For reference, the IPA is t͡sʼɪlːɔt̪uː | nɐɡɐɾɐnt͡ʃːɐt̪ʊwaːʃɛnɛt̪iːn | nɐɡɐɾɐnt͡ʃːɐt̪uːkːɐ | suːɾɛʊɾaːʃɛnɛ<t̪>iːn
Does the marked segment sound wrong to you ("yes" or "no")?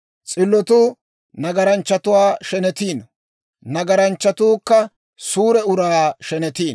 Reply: no